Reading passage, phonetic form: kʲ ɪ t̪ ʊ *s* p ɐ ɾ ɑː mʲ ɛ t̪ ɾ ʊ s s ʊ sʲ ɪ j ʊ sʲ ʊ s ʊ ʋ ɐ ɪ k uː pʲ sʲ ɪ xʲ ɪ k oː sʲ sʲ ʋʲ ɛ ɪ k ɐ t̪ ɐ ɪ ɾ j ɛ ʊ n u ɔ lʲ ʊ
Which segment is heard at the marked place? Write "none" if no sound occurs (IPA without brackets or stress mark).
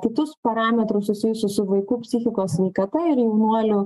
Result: s